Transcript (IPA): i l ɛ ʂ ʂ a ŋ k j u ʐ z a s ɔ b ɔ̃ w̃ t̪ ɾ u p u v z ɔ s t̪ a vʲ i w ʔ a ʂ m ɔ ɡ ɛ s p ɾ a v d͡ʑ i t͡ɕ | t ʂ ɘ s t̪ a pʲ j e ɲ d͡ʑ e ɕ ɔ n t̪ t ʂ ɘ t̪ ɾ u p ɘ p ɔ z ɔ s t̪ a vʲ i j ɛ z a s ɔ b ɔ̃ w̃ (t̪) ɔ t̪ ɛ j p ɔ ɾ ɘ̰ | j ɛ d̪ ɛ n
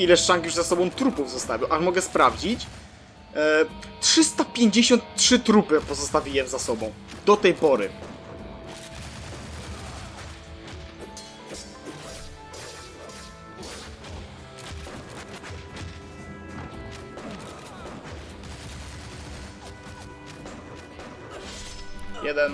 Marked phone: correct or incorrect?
incorrect